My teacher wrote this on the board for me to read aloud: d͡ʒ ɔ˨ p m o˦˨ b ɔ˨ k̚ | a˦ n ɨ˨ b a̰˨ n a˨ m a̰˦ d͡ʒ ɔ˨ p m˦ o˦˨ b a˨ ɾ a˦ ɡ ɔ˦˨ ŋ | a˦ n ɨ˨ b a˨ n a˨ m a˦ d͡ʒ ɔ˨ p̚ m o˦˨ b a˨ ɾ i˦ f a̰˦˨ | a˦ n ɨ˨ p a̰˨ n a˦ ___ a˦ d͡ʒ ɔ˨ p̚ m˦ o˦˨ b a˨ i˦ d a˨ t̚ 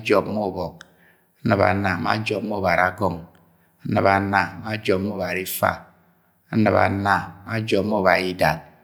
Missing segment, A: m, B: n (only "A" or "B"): A